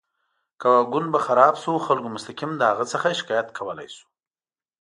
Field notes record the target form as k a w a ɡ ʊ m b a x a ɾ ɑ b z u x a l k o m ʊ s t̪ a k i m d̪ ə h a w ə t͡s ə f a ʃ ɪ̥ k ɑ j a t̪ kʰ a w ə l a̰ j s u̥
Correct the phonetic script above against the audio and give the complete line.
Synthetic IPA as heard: k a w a ɡ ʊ n b a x a ɾ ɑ b s u x a l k o m ʊ s t̪ a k i m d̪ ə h a ɣ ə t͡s ə x a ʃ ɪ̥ k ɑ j a t̪ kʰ a w ə l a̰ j s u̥